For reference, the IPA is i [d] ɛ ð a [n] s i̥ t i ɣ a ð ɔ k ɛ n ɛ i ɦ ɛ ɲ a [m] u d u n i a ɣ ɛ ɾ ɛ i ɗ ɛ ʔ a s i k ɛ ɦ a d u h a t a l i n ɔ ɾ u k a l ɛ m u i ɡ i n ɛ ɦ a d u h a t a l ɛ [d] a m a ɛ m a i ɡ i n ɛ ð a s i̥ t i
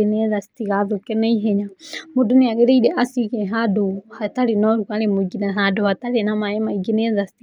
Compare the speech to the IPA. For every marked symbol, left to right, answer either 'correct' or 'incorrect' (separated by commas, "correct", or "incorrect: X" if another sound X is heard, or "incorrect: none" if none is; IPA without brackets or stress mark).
incorrect: n, incorrect: none, correct, incorrect: n